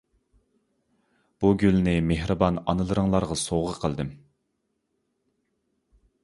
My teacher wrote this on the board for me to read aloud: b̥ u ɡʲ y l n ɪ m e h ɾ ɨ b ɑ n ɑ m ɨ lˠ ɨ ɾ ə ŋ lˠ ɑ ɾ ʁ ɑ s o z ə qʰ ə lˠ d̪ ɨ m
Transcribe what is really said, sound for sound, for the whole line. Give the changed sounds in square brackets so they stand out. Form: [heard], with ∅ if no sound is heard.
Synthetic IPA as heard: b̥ u ɡʲ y l n ɪ m e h ɾ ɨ b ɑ n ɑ [n] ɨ lˠ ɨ ɾ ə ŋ lˠ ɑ ɾ ʁ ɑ s o [ʁ] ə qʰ ə lˠ d̪ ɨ m